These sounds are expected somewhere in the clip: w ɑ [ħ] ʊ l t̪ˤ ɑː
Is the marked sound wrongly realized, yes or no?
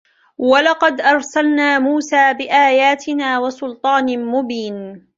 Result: yes